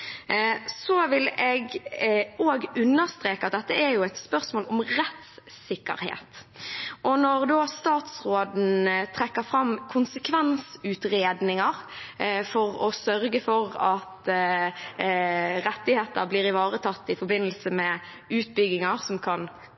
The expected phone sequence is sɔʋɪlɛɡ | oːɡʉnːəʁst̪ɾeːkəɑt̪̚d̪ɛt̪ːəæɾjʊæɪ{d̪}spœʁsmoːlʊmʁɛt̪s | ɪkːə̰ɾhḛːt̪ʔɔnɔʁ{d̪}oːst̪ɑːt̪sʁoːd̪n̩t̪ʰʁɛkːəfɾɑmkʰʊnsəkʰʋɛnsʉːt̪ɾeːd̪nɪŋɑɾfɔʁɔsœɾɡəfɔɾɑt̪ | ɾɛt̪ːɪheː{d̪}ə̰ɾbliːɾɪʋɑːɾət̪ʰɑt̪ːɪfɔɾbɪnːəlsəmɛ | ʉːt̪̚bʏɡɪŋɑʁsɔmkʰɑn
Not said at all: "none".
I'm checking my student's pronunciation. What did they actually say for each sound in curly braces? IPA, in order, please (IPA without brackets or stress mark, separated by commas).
t̪, d̪, t̪